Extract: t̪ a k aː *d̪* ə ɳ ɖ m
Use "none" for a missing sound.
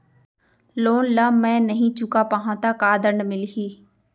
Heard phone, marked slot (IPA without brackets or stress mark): d̪